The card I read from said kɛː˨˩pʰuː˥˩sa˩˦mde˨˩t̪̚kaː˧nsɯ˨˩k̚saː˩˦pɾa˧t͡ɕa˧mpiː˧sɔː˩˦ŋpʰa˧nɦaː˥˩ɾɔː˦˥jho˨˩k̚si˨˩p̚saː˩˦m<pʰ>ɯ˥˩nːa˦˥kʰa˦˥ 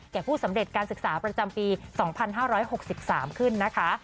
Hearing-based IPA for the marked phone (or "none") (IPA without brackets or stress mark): kʰ